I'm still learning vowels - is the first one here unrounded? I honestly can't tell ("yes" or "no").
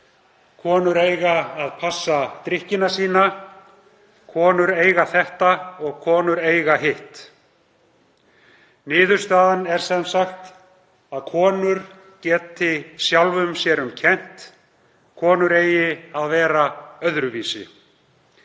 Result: no